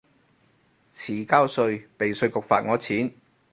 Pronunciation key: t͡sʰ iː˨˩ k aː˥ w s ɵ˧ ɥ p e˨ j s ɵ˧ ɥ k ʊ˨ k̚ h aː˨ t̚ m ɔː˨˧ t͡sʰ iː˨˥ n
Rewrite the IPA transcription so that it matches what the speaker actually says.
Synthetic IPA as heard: t͡sʰ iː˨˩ k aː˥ w s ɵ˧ ɥ p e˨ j s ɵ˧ ɥ k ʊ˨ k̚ f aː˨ t̚ ŋ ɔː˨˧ t͡sʰ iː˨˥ n

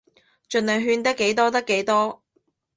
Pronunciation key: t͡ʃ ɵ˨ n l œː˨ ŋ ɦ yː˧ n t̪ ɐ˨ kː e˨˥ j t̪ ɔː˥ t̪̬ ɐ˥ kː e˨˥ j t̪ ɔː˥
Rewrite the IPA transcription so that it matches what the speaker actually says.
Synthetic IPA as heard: t͡ʃ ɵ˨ n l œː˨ ŋ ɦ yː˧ n t̪ ɐ˥ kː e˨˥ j t̪ ɔː˥ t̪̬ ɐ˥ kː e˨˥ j t̪ ɔː˥

